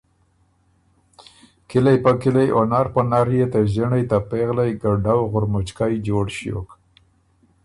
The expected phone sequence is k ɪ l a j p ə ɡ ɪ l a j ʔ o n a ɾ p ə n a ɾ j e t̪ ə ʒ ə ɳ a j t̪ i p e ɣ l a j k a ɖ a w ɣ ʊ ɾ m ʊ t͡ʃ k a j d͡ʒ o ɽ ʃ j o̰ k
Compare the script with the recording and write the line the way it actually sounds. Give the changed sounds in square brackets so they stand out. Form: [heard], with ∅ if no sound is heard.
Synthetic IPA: k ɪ l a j p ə [k] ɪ l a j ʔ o n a ɾ p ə n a ɾ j e t̪ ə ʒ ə ɳ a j t̪ [a] p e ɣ l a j [ɡ] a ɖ a w ɣ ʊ ɾ m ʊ t͡ʃ k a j d͡ʒ o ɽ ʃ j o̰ k